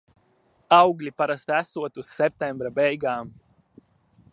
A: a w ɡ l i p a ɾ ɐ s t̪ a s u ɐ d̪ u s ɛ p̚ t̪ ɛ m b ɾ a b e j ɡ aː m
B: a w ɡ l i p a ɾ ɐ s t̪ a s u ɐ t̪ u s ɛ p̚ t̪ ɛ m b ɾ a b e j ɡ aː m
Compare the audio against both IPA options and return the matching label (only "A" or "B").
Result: B